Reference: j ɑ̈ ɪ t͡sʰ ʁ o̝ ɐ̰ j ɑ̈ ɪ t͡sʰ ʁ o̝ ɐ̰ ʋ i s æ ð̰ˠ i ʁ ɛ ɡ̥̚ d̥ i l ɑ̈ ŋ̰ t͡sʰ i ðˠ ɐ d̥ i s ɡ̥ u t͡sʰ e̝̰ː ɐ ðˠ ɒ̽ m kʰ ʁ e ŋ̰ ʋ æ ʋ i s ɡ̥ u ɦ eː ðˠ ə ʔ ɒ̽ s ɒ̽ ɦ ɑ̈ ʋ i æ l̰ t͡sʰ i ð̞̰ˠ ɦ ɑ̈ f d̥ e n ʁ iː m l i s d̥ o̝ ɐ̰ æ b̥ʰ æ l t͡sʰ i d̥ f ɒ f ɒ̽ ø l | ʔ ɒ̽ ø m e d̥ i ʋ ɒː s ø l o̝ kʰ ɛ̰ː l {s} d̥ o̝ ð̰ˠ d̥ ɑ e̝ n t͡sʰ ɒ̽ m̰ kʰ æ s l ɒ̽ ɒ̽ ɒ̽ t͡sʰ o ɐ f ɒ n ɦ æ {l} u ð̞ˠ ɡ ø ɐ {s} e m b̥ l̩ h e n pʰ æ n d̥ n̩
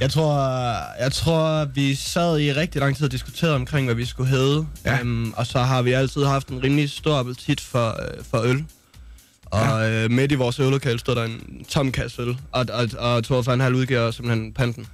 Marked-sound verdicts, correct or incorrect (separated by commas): correct, correct, correct